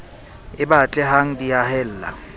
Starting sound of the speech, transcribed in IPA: ɪ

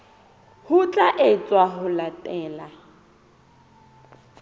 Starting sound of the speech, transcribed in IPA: h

